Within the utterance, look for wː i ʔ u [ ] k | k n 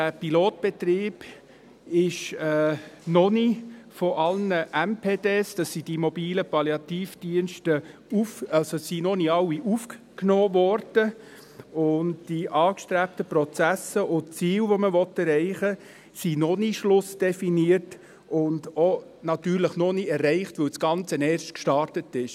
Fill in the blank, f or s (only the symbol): f